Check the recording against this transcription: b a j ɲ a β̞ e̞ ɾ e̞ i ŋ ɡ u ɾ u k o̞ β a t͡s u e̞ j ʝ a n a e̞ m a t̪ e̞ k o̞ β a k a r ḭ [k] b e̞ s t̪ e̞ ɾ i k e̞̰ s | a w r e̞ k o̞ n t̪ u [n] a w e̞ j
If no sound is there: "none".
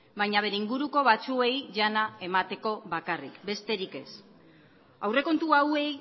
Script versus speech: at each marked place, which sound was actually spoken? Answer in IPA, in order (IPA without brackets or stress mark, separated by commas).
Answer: k, none